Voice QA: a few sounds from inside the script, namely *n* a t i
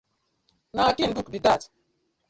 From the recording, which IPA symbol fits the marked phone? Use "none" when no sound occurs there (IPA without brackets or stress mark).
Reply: n